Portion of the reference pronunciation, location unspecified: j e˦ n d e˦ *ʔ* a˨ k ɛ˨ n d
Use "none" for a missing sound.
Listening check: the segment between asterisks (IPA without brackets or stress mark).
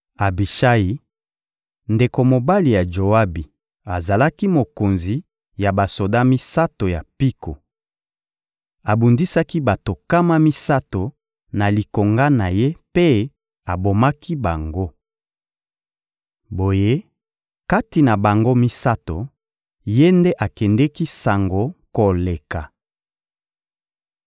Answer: ʔ